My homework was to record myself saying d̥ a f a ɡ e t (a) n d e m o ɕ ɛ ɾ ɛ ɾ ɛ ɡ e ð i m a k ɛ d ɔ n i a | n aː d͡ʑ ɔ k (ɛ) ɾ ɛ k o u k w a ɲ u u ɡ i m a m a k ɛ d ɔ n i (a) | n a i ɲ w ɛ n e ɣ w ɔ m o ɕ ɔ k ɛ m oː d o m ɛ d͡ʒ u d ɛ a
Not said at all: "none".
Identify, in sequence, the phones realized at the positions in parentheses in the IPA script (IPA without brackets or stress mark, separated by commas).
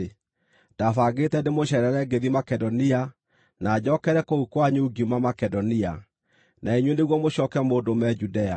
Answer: ɛ, ɛ, a